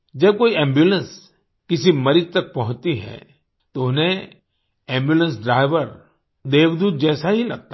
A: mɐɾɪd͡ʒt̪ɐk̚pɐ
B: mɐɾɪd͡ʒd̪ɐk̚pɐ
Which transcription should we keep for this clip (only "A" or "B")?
A